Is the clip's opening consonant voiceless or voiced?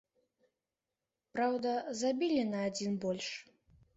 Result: voiceless